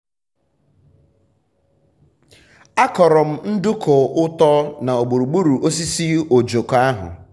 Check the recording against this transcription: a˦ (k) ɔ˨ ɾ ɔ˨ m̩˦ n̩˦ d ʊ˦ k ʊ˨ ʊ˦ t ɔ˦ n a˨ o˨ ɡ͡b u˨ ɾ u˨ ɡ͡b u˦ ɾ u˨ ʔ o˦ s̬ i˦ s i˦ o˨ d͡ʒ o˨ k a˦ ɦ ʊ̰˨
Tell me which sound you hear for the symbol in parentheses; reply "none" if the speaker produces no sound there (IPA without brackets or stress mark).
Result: k